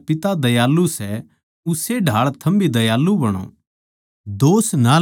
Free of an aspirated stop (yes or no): no